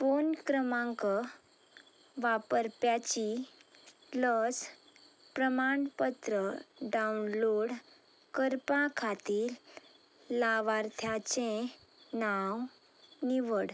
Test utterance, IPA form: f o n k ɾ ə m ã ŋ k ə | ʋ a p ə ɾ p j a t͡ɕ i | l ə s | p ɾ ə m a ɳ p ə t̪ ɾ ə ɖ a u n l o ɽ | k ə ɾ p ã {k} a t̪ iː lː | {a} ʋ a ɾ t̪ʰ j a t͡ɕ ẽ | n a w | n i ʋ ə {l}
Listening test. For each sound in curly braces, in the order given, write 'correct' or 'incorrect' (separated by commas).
incorrect, correct, incorrect